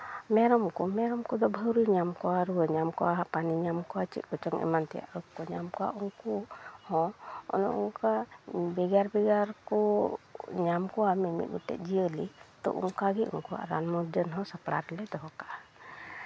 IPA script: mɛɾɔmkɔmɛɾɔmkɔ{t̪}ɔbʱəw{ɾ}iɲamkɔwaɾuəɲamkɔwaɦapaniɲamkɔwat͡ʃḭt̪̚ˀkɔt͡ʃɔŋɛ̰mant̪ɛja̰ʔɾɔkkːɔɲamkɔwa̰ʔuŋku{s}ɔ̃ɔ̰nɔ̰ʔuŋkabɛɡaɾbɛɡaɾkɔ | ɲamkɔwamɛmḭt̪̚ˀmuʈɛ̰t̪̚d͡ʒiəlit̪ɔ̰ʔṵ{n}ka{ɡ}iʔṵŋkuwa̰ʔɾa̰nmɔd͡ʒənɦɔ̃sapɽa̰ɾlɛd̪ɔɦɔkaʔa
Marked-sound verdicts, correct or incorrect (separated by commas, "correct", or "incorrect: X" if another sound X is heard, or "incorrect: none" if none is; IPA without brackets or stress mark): incorrect: d̪, correct, incorrect: h, incorrect: ŋ, correct